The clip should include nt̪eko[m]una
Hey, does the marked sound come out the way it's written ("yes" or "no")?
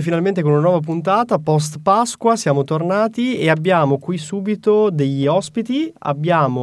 no